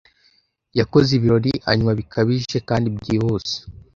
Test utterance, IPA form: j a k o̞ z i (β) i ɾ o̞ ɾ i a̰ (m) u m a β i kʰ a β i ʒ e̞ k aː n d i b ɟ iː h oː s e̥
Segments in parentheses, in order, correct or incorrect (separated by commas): correct, incorrect